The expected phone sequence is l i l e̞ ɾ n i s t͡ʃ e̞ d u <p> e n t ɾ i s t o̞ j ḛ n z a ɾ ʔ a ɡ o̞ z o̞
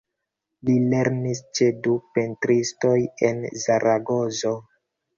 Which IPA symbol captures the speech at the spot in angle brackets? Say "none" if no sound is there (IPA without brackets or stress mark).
p